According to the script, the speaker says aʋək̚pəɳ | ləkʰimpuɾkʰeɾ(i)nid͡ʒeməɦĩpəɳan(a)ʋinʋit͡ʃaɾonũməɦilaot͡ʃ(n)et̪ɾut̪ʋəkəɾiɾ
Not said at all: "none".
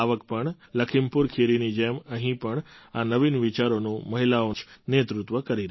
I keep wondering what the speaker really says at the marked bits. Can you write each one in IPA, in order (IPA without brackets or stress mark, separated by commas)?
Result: i, ə, n